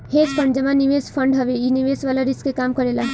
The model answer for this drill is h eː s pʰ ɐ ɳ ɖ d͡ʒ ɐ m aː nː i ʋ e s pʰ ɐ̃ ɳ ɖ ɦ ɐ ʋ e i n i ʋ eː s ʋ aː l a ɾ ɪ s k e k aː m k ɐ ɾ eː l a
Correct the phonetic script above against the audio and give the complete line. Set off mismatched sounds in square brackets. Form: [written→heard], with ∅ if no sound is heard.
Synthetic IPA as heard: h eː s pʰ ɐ ɳ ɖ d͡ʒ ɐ m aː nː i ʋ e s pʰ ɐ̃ ɳ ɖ ɦ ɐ ʋ e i n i ʋ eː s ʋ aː l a ɾ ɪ s k e k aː m k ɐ ɾ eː l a